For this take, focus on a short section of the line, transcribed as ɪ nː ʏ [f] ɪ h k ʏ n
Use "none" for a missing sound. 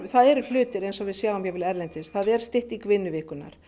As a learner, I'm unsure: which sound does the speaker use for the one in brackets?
v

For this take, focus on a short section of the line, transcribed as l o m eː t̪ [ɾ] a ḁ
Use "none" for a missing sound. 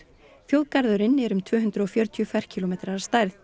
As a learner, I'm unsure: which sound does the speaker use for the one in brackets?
ɾ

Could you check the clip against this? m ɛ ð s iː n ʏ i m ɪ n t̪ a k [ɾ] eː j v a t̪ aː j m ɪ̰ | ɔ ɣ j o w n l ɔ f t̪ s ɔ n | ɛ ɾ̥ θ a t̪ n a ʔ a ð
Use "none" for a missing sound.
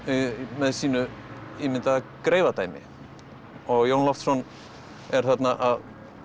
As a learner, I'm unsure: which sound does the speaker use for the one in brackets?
ɾ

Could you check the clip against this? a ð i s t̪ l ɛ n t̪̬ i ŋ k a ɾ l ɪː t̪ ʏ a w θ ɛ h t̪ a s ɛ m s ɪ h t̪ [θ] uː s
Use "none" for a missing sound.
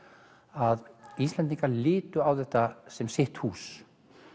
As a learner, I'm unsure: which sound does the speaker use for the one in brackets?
h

